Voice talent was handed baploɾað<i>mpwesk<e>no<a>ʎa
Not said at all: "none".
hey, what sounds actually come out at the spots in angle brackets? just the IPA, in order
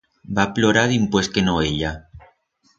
i, e, e

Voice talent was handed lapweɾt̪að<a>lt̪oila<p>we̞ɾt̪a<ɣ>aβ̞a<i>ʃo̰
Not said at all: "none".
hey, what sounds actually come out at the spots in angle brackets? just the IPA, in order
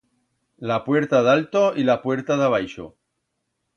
a, p, ð, j

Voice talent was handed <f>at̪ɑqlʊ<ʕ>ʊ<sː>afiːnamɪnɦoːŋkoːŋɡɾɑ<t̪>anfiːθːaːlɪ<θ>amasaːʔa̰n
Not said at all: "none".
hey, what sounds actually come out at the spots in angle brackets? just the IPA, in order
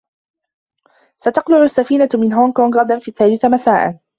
s, ʕ, sː, d̪, θ

